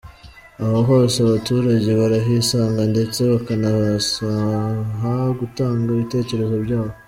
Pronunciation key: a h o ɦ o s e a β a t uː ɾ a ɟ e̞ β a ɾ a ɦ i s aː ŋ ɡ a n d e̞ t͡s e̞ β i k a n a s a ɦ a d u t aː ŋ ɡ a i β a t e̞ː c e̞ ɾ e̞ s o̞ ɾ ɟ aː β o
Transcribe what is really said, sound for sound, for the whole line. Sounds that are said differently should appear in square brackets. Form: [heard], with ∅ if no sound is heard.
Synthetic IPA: a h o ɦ o s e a β a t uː ɾ a ɟ e̞ β a ɾ a ɦ i s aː ŋ ɡ a n d e̞ t͡s e̞ β [a] k a n a s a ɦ a [ɡ] u t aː ŋ ɡ a i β [i] t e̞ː c e̞ ɾ e̞ [z] o̞ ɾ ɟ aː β o